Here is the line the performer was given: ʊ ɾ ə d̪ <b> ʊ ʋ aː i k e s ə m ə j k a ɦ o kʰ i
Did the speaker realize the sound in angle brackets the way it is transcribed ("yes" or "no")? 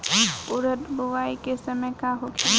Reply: yes